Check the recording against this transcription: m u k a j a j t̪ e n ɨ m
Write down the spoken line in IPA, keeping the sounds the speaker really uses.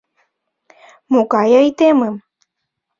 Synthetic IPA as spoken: m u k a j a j t̪ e m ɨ m